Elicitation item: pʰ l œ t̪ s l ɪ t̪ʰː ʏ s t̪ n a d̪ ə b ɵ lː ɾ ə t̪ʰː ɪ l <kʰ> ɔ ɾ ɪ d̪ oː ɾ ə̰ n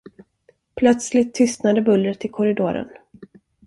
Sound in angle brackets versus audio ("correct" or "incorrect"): correct